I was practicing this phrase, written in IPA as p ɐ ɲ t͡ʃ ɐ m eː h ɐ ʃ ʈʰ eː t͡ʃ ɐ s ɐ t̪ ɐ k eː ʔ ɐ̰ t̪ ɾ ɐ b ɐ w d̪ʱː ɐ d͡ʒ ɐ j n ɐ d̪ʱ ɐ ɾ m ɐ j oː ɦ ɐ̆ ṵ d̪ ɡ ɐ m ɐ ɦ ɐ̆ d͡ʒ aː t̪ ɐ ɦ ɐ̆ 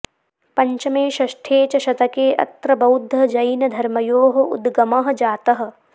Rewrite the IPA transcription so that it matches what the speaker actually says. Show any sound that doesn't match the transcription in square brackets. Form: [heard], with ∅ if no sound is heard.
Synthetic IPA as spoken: p ɐ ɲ t͡ʃ ɐ m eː [ʃ] ɐ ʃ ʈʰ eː t͡ʃ ɐ [ʃ] ɐ t̪ ɐ k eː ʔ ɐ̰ t̪ ɾ ɐ b ɐ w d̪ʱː ɐ d͡ʒ ɐ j n ɐ d̪ʱ ɐ ɾ m ɐ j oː ɦ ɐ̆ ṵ d̪ ɡ ɐ m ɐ ɦ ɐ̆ d͡ʒ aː t̪ ɐ ɦ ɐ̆

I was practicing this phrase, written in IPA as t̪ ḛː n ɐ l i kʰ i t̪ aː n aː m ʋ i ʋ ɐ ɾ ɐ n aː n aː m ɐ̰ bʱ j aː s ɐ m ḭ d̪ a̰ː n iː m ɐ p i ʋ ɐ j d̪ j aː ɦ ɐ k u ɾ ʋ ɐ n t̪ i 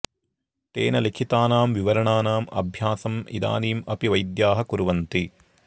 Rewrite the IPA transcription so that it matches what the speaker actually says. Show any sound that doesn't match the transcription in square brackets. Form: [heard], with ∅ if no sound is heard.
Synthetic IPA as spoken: t̪ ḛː n ɐ l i kʰ i t̪ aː n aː m ʋ i ʋ ɐ ɾ ɐ [ɳ] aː n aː m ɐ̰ bʱ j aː s ɐ m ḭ d̪ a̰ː n iː m ɐ p i ʋ ɐ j d̪ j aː ɦ ɐ k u ɾ ʋ ɐ n t̪ i

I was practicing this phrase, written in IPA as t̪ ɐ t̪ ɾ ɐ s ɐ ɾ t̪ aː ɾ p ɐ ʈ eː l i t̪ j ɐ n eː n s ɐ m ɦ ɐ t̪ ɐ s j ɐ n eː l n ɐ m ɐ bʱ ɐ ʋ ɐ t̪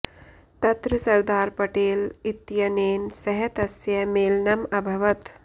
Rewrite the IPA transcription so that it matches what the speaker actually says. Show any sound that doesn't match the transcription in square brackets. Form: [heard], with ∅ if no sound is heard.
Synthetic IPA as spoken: t̪ ɐ t̪ ɾ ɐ s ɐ ɾ [d̪] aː ɾ p ɐ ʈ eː l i t̪ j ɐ n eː n s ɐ [∅] ɦ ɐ t̪ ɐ s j ɐ [m] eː l n ɐ m ɐ bʱ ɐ ʋ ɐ t̪

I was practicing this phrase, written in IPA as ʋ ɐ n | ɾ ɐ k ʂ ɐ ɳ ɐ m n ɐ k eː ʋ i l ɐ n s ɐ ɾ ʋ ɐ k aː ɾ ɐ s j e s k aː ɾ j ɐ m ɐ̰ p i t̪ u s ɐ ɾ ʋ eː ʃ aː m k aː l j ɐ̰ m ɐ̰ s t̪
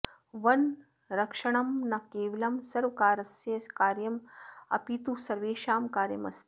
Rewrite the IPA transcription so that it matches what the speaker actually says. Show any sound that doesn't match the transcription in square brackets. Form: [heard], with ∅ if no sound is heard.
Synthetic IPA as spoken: ʋ ɐ n | ɾ ɐ k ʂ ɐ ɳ ɐ m n ɐ k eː ʋ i l ɐ [m] s ɐ ɾ ʋ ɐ k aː ɾ ɐ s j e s k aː ɾ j ɐ m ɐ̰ p i t̪ u s ɐ ɾ ʋ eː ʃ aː m k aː [ɾ] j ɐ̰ m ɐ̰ s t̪

